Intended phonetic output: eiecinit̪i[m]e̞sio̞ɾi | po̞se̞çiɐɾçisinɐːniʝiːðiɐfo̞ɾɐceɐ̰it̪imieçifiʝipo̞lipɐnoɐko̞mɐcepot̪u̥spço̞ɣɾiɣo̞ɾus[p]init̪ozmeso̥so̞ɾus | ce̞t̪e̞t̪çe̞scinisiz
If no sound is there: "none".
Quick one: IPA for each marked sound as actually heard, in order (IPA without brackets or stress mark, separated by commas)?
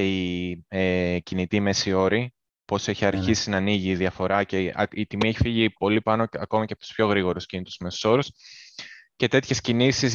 m, c